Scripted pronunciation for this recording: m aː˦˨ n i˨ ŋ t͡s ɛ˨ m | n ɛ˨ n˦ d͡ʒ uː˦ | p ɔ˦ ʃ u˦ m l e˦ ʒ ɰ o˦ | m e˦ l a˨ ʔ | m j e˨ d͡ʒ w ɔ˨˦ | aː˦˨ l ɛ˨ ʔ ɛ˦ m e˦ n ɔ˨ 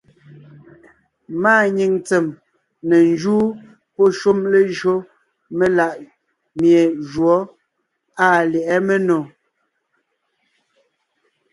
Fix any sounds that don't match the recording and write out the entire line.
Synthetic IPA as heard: m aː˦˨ ɲ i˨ ŋ t͡s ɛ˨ m | n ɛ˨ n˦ d͡ʒ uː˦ | p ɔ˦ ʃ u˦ m l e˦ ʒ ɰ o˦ | m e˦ l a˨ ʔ | m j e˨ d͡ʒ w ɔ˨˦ | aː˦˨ l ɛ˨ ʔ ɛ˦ m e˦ n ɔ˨